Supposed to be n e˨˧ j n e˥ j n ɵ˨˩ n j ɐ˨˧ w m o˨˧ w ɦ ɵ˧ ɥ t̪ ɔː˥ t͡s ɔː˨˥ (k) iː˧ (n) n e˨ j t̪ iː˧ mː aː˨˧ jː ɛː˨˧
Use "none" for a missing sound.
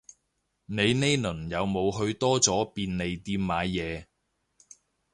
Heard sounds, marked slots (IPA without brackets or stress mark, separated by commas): p, n